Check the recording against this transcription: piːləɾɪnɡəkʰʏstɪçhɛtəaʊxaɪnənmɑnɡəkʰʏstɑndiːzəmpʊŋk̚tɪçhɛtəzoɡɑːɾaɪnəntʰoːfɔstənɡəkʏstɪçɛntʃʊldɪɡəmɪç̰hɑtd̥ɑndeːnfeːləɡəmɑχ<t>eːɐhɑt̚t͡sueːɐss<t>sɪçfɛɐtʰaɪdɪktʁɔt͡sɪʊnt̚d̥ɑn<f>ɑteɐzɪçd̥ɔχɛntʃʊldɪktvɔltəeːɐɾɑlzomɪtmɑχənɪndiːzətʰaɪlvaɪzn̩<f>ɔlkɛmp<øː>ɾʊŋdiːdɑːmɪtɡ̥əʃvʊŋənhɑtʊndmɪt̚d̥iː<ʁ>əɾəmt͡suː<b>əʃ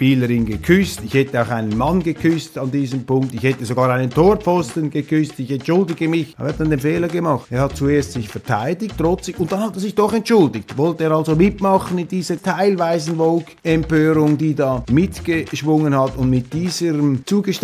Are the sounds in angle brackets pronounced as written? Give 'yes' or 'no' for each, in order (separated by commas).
yes, yes, no, no, yes, no, no